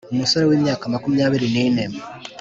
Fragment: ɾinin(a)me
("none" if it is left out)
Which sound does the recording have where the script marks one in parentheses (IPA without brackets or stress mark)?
e